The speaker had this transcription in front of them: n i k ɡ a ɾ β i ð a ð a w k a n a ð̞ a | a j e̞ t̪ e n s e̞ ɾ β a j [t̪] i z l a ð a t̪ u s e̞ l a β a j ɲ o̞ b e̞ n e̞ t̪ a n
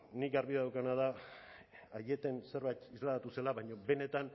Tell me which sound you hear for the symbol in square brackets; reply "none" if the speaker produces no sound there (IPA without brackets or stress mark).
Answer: t̪